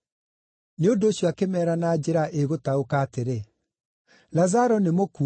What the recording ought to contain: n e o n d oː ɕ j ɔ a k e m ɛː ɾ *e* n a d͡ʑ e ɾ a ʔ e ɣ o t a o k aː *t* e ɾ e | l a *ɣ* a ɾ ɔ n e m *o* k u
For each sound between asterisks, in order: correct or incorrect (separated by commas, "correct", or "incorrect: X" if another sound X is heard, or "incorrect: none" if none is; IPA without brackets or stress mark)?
incorrect: a, correct, incorrect: z, correct